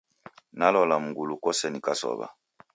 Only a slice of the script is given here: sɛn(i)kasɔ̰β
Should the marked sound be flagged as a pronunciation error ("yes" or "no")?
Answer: no